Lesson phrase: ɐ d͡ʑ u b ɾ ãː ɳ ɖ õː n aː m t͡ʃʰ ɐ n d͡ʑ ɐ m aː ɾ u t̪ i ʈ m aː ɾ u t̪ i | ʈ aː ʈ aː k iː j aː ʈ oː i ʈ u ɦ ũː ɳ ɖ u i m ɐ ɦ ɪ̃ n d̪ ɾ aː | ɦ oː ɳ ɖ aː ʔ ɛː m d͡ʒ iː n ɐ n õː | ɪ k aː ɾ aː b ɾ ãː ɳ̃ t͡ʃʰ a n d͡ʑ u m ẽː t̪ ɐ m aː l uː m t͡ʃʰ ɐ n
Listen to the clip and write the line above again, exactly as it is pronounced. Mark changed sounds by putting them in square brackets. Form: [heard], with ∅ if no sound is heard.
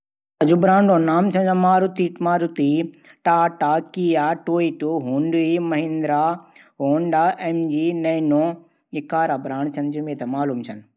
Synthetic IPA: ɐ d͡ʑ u b ɾ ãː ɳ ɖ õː n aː m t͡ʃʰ ɐ n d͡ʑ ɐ m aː ɾ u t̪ i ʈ m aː ɾ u t̪ i | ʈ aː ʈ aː k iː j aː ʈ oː i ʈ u ɦ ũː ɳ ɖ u i m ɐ ɦ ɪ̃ n d̪ ɾ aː | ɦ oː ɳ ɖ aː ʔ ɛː m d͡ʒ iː n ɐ n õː | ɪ k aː ɾ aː b ɾ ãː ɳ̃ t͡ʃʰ [ɐ] n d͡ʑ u m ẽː t̪ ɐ m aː l uː m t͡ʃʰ ɐ n